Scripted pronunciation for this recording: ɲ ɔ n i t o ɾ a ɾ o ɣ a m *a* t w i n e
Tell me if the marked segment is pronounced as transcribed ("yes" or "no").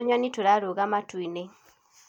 yes